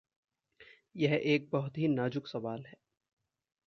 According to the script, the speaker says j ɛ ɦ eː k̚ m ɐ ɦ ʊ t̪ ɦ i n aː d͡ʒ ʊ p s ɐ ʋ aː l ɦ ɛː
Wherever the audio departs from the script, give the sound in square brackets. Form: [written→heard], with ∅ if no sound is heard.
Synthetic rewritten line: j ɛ ɦ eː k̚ [m→b] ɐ ɦ ʊ t̪ ɦ i n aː d͡ʒ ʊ [p→k] s ɐ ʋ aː l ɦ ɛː

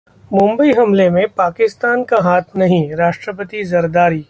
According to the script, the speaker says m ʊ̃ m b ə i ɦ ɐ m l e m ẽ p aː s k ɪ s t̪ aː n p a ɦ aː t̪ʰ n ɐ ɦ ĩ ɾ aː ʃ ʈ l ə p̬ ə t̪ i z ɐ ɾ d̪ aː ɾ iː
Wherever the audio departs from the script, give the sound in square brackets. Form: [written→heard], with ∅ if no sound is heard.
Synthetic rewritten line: m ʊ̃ m b ə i ɦ ɐ m l e m ẽ p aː [s→∅] k ɪ s t̪ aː n [p→k] a ɦ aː t̪ʰ n ɐ ɦ ĩ ɾ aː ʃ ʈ [l→ɾ] ə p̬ ə t̪ i z ɐ ɾ d̪ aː ɾ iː

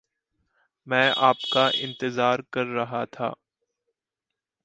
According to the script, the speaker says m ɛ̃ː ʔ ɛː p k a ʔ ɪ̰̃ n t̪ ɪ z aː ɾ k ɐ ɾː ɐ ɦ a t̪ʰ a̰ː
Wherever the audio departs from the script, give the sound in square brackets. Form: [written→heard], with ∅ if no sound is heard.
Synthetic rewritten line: m ɛ̃ː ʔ [ɛː→aː] p k a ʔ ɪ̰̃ n t̪ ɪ z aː ɾ k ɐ ɾː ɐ ɦ a t̪ʰ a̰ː

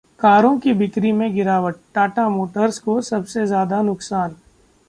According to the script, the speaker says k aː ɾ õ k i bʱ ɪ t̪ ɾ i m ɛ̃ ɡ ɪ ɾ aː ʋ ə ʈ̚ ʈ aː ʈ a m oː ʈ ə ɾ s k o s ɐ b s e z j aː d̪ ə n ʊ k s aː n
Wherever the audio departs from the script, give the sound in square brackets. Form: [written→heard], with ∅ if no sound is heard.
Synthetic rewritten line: k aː ɾ õ k i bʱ ɪ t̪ ɾ i m [ɛ̃→ẽ] ɡ ɪ ɾ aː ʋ ə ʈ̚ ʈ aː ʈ a m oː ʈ ə ɾ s k o s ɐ b s e z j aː d̪ [ə→a] n ʊ k s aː n

